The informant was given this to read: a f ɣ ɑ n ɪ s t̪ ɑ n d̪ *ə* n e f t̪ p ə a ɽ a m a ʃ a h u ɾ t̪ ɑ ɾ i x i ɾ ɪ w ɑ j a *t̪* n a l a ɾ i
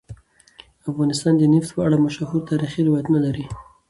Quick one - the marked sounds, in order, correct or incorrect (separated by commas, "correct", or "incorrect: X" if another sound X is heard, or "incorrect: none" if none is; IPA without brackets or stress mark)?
correct, correct